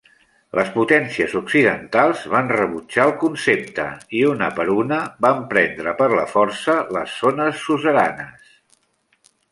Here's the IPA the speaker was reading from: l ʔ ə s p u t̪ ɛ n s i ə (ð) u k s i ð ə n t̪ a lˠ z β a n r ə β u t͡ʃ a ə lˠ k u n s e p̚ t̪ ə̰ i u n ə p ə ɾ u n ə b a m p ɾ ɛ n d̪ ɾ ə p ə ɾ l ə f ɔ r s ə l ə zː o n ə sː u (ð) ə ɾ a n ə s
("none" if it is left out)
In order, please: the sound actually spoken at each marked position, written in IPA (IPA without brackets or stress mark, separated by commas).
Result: z, z